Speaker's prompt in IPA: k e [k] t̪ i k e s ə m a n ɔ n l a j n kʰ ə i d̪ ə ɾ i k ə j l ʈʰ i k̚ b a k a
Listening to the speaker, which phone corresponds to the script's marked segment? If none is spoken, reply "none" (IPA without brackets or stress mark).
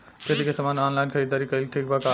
none